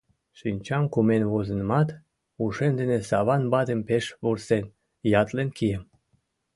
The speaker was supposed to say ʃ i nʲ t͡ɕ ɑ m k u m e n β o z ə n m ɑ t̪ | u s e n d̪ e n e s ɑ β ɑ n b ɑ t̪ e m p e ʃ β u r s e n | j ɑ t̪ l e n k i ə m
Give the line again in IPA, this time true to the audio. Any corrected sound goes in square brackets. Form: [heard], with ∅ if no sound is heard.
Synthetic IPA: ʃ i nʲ t͡ɕ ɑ m k u m e n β o z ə n m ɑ t̪ | u [ʃ] e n d̪ e n e s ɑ β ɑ n b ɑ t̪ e m p e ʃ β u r s e n | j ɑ t̪ l e n k i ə m